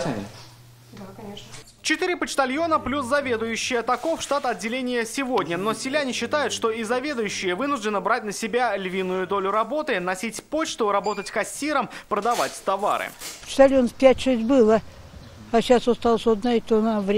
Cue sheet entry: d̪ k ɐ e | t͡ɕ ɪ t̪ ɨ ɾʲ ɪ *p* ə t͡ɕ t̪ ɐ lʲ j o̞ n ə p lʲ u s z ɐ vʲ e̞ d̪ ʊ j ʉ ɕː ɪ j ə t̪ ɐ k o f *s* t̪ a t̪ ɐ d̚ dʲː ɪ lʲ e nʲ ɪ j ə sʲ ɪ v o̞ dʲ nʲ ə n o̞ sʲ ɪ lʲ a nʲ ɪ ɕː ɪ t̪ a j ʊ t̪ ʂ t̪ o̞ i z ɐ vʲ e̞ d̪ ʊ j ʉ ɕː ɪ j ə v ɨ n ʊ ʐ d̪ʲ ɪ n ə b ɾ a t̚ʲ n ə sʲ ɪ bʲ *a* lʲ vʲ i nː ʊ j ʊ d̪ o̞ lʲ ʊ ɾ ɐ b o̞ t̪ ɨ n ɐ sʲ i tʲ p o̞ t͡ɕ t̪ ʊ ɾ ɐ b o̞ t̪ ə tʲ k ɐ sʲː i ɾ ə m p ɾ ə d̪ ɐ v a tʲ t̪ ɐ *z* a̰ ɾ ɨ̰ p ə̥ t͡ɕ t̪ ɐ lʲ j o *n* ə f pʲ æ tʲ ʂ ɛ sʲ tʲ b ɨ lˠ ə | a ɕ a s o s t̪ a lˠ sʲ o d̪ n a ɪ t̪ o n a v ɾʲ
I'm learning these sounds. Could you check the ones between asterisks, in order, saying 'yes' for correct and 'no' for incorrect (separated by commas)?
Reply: yes, no, yes, no, yes